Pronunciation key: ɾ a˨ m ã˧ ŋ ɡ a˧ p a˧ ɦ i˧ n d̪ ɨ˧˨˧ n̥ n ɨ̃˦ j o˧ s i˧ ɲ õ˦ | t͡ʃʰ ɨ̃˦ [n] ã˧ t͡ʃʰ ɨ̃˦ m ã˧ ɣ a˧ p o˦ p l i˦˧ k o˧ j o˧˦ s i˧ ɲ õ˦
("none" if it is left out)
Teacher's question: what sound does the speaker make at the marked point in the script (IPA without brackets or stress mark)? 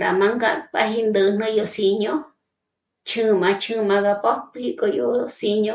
m